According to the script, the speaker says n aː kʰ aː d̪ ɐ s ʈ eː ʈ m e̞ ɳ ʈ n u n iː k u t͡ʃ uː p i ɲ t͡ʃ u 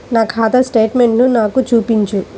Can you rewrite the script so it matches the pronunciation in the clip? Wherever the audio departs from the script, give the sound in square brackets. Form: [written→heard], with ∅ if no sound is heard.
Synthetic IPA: n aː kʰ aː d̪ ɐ s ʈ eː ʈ m e̞ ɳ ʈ n u n [iː→aː] k u t͡ʃ uː p i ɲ t͡ʃ u